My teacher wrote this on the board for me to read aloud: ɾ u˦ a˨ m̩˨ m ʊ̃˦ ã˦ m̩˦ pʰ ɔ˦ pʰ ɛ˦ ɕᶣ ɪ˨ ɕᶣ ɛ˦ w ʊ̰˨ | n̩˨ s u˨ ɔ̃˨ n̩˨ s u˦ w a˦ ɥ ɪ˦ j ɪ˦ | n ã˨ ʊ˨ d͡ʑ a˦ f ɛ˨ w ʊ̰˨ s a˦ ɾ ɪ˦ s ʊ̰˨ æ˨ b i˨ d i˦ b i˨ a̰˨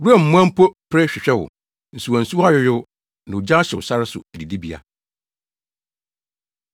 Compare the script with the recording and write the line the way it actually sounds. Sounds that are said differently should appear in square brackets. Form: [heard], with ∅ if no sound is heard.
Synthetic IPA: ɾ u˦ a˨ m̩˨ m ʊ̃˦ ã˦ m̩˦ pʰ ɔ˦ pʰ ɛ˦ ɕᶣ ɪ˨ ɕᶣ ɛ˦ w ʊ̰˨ | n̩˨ s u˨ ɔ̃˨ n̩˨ s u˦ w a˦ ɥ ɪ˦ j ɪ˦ | n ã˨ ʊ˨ d͡ʑ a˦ [ɕ] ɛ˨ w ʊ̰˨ s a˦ ɾ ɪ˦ s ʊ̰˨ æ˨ [d] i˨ d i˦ b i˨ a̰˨